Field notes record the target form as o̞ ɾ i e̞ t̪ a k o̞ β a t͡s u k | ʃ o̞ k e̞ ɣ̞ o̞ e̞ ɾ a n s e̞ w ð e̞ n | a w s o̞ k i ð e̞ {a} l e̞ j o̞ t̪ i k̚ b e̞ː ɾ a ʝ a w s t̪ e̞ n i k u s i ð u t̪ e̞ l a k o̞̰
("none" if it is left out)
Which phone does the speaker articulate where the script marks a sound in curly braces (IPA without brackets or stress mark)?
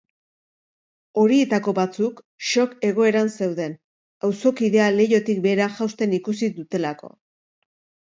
a